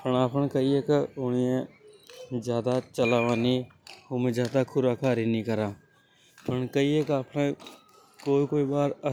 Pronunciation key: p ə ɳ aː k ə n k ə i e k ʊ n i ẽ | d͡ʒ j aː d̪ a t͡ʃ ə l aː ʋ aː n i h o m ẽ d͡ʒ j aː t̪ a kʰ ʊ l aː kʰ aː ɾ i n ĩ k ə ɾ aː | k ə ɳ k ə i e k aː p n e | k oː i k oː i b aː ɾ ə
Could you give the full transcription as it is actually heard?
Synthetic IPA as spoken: p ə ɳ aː p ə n k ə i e k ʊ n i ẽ | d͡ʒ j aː d̪ a t͡ʃ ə l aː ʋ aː n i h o m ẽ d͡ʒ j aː d̪ a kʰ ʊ ɾ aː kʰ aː ɾ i n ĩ k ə ɾ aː | p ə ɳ k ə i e k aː p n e | k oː i k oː i b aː ɾ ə